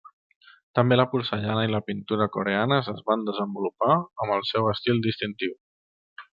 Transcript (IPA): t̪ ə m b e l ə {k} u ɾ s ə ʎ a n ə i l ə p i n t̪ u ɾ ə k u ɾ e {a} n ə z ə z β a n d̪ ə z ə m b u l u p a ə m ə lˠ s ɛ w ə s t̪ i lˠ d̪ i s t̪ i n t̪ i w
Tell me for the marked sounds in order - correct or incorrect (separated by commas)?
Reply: incorrect, correct